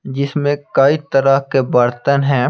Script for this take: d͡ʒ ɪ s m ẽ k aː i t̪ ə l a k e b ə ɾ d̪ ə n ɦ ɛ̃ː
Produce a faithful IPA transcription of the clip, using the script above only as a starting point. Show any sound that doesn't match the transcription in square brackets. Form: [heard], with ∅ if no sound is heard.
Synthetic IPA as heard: d͡ʒ ɪ s m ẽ k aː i t̪ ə [ɾ] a k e b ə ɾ [t̪] ə n ɦ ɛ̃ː